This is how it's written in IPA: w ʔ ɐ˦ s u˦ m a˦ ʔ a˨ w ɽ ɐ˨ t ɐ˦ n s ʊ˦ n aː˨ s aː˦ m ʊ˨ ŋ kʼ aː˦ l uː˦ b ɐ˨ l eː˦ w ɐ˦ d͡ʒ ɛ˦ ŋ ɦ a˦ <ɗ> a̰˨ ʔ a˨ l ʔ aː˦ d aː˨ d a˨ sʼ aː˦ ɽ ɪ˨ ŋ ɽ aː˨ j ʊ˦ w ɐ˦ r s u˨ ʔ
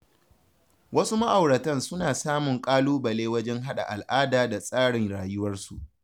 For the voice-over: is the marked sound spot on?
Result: yes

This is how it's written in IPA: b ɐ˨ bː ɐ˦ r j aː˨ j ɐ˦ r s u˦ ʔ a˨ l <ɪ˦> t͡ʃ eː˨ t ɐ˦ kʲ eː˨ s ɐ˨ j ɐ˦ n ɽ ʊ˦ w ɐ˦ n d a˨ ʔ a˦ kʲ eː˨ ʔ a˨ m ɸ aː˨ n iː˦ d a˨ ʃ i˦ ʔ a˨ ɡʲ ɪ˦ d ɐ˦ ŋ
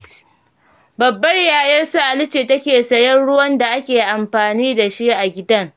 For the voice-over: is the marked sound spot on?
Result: yes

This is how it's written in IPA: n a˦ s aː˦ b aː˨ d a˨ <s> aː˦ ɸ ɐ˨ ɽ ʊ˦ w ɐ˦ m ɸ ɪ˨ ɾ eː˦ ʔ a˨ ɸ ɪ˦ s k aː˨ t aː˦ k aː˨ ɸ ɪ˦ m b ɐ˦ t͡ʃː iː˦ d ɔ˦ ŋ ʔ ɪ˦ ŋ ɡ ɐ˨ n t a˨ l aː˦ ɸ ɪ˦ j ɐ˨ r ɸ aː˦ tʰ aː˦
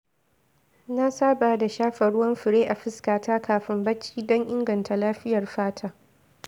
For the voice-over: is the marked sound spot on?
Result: no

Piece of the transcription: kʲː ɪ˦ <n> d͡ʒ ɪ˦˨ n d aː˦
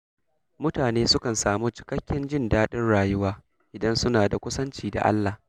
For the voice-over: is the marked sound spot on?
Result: yes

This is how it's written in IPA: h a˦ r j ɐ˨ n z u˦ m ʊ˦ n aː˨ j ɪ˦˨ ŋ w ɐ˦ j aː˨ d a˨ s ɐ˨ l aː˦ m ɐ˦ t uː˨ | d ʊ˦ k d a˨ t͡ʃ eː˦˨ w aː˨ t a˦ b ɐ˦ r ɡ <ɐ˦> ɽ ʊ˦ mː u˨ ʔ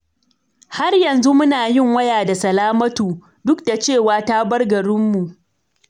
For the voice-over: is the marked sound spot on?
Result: no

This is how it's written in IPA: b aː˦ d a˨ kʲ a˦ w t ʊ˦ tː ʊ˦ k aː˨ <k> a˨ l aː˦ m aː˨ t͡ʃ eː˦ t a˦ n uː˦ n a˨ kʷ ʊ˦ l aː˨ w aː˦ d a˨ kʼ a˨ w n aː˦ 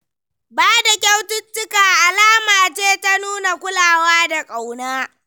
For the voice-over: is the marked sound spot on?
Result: no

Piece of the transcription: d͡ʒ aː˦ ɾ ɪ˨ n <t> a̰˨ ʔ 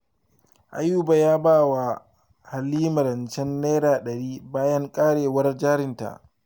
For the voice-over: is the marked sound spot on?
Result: yes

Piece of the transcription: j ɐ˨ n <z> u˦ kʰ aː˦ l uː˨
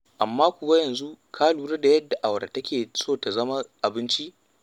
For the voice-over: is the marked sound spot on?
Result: yes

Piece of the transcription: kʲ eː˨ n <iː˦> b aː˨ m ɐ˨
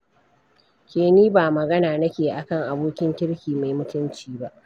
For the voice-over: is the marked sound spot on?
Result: yes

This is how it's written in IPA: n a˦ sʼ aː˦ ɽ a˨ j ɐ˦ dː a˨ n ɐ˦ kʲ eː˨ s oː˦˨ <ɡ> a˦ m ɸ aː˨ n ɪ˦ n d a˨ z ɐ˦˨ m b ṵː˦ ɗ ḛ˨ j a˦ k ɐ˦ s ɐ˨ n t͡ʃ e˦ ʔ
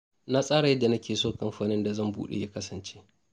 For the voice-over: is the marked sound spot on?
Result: no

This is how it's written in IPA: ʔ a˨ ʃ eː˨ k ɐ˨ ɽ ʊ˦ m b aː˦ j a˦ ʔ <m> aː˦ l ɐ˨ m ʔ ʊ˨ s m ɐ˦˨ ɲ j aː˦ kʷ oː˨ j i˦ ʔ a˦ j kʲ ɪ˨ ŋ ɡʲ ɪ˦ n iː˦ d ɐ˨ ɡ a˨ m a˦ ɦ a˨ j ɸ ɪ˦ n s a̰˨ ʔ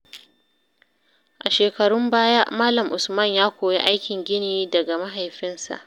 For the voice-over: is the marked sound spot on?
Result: yes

